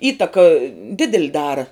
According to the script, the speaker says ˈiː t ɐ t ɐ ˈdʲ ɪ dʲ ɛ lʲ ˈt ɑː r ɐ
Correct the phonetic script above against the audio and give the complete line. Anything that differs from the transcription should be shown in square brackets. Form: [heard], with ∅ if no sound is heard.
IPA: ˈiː t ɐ [k] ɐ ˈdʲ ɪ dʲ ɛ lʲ [ˈd] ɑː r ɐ